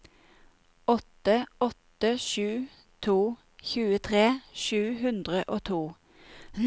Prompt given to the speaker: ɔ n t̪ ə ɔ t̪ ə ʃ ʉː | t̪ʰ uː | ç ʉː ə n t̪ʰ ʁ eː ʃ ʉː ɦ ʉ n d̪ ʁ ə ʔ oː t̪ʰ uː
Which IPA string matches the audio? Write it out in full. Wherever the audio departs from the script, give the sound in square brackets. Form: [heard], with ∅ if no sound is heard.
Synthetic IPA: ɔ [∅] t̪ ə ɔ t̪ ə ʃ ʉː | t̪ʰ uː | ç ʉː ə [∅] t̪ʰ ʁ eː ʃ ʉː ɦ ʉ n d̪ ʁ ə ʔ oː t̪ʰ uː